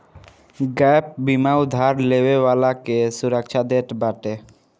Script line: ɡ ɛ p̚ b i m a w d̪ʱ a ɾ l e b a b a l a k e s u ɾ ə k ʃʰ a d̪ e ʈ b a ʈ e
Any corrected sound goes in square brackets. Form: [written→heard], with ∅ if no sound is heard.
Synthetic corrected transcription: ɡ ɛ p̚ b i m a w d̪ʱ a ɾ l e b [a→e] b a l a k e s u ɾ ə k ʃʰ a d̪ e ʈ b a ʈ e